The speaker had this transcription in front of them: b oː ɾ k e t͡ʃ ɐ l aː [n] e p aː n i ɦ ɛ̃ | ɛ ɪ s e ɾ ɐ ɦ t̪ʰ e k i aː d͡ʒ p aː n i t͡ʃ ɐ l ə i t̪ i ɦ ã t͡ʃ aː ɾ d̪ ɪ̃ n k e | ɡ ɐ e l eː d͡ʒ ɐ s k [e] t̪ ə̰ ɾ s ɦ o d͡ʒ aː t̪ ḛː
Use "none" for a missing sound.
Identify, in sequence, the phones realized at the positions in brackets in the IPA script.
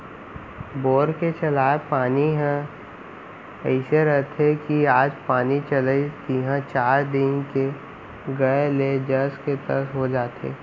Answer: none, e

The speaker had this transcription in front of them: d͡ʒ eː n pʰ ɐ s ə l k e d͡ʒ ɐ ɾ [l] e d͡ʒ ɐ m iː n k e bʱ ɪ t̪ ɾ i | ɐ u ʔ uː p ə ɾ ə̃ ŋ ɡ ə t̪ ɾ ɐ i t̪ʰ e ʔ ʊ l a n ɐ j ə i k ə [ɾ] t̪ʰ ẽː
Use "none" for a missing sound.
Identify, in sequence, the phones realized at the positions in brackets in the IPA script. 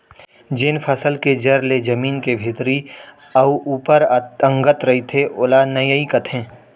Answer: l, none

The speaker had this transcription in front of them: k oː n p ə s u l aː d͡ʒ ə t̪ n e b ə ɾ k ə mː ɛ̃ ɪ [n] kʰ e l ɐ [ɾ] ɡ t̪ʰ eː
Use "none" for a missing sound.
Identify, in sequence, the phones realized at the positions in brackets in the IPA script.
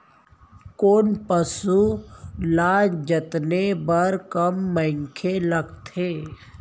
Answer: ŋ, none

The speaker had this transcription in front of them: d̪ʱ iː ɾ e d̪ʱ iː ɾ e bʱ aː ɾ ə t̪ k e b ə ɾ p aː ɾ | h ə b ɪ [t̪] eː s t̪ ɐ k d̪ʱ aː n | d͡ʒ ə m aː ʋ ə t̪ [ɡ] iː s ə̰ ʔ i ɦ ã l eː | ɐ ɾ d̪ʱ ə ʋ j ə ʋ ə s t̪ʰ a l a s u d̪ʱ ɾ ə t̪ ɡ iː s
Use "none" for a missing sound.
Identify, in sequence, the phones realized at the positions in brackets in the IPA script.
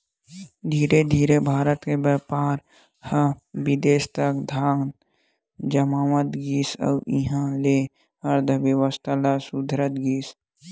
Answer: d̪, ɡ

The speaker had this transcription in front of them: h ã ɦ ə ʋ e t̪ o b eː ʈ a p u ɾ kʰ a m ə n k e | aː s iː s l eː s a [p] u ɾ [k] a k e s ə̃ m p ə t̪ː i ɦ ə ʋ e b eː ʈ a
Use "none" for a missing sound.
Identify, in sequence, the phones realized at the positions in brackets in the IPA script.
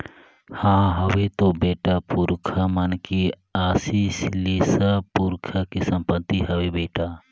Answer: p, kʰ

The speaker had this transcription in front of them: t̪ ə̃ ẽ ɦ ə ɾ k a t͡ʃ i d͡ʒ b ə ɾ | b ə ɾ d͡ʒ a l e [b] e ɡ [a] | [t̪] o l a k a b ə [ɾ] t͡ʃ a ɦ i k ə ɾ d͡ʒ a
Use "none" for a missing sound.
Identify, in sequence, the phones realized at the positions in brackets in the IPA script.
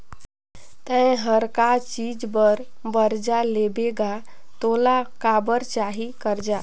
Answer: b, a, t̪, ɾ

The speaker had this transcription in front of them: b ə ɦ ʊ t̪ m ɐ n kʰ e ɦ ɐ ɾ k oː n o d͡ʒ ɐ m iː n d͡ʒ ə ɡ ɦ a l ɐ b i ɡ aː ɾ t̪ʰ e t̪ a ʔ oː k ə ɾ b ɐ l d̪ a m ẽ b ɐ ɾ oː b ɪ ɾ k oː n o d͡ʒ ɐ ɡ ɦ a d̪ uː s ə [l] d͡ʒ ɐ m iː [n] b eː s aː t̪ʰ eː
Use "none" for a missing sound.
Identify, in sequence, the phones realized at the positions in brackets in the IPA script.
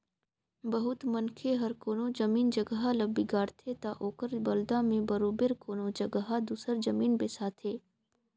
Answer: ɾ, n

